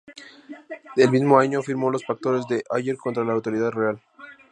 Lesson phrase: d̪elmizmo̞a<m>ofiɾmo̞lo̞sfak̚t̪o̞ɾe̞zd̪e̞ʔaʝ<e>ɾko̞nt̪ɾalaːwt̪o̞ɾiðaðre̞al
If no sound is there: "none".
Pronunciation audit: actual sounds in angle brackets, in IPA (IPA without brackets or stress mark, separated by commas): ɲ, e